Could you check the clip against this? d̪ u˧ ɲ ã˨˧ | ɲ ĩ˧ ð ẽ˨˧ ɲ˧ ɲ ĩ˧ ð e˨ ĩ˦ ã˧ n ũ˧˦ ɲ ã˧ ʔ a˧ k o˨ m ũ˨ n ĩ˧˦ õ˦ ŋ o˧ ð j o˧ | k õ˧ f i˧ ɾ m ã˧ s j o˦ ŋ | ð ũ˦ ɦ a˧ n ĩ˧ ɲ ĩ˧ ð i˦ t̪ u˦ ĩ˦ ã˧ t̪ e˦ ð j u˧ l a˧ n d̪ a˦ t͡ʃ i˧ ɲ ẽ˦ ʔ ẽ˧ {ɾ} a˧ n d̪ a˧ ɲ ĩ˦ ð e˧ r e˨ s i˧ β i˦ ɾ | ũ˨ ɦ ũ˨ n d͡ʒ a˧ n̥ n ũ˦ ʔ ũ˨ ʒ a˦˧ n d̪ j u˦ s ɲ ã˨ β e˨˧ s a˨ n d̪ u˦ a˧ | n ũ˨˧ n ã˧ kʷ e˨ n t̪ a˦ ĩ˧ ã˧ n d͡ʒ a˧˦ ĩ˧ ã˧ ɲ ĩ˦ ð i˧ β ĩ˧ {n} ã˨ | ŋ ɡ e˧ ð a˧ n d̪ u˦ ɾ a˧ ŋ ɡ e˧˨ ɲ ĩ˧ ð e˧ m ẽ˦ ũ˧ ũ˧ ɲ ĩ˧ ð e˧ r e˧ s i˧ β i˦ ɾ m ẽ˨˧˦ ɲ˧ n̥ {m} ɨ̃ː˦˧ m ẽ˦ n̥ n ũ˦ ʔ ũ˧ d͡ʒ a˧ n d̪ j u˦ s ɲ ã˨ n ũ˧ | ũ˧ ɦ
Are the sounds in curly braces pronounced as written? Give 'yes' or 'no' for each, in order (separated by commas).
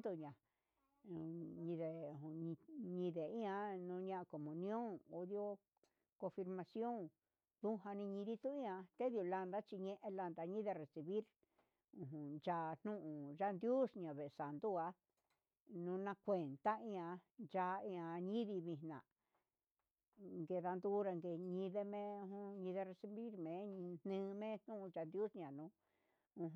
no, yes, no